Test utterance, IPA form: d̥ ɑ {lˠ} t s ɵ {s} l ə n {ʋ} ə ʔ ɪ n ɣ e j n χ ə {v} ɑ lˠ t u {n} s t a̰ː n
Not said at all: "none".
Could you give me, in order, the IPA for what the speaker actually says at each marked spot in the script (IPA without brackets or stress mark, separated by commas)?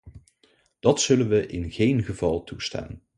none, none, ʋ, v, none